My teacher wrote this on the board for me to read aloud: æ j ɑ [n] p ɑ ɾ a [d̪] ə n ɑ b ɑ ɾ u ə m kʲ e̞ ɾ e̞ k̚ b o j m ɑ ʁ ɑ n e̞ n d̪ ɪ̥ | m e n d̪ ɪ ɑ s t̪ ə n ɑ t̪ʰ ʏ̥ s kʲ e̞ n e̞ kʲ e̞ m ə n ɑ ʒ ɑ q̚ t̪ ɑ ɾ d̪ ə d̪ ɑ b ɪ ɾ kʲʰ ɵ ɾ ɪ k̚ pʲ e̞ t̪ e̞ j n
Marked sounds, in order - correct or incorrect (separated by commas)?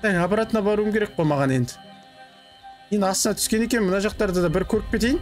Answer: incorrect, incorrect